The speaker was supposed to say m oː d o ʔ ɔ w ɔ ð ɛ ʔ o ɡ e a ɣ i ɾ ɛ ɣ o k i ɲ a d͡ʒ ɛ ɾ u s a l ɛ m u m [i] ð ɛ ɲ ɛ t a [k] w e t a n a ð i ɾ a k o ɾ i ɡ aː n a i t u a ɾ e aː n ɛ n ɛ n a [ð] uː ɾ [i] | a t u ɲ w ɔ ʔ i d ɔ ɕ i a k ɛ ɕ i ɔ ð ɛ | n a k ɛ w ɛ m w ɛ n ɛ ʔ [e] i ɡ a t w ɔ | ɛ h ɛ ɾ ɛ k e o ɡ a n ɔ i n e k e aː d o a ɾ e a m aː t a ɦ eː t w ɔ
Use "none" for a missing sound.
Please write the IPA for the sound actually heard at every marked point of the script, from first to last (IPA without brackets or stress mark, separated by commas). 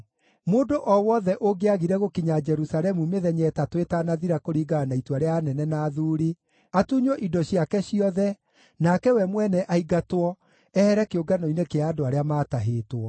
e, t, ð, i, a